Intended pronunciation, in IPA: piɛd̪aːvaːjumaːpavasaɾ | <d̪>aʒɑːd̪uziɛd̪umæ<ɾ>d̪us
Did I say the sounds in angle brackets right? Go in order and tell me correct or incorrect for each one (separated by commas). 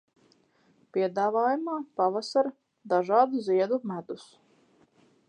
correct, incorrect